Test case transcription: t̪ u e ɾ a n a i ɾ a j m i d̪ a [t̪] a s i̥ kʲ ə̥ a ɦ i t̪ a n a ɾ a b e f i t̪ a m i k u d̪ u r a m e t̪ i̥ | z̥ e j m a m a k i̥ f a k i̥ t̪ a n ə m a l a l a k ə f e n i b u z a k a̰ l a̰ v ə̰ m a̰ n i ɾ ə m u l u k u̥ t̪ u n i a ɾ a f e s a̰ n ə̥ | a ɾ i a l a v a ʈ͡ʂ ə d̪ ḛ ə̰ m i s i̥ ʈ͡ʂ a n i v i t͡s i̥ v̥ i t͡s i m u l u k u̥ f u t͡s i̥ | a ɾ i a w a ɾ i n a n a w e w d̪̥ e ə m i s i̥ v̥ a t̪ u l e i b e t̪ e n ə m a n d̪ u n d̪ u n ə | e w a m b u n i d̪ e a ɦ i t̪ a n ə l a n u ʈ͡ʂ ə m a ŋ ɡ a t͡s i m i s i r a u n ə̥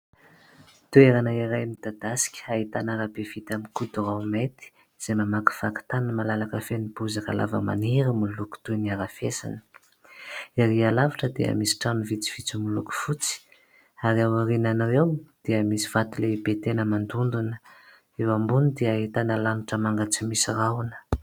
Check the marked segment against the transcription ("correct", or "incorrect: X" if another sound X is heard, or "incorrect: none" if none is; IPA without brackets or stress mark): incorrect: d̪